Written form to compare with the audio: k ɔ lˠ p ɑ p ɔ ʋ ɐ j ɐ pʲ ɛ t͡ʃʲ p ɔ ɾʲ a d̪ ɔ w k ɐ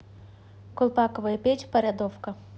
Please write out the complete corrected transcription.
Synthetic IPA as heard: k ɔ lˠ p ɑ k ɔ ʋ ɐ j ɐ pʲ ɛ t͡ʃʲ p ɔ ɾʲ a d̪ ɔ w k ɐ